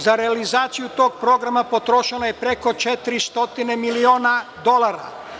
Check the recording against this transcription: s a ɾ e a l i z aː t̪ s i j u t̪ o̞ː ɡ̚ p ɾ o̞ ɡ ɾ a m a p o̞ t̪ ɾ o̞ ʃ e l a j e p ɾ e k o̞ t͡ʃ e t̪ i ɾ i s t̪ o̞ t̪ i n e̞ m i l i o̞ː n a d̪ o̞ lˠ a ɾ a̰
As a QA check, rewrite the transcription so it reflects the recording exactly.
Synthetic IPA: z a ɾ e a l i z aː t̪ s i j u t̪ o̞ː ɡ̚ p ɾ o̞ ɡ ɾ a m a p o̞ t̪ ɾ o̞ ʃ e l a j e p ɾ e k o̞ t͡ʃ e t̪ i ɾ i s t̪ o̞ t̪ i n e̞ m i l i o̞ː n a d̪ o̞ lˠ a ɾ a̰